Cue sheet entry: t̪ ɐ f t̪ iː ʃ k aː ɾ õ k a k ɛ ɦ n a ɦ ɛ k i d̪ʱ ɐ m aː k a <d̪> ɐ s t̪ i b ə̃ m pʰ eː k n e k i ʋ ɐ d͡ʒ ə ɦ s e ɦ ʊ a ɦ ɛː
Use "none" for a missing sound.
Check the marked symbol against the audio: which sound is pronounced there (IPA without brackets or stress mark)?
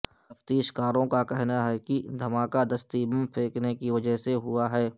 d̪